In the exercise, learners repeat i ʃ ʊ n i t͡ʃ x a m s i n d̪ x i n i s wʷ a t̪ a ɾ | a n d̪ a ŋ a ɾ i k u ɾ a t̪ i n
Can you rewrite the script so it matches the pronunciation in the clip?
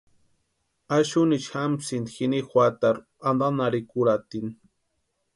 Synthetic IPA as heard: a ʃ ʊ n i t͡ʃ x a m s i n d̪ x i n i x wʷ a t̪ a ɾ | a n d̪ a n a ɾ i k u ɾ a t̪ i n